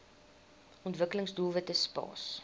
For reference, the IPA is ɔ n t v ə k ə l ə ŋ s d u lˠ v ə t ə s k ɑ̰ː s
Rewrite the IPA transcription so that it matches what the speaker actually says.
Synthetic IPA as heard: ɔ n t v ə k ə l ə ŋ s d u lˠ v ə t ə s p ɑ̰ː s